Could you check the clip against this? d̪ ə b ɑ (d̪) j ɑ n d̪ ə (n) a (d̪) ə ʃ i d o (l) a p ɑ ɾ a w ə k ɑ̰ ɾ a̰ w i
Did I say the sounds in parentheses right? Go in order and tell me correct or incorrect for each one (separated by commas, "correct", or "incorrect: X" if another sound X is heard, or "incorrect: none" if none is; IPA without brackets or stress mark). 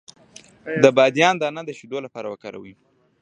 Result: correct, correct, correct, correct